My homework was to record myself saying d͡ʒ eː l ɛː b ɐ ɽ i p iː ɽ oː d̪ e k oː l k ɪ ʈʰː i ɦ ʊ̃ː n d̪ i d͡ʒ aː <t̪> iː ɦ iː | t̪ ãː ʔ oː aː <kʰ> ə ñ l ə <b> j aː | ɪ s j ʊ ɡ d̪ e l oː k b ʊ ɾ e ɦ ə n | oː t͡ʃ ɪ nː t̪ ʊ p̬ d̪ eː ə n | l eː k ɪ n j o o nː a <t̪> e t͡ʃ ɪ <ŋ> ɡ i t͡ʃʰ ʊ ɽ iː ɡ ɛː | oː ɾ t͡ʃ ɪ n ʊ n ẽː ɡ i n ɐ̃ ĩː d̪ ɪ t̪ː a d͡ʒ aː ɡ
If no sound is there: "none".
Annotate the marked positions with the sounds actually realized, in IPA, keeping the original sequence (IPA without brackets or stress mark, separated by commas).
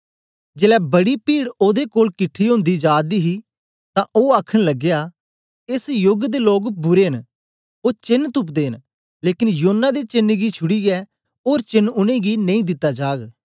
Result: d̪, kʰ, ɡ, d̪, n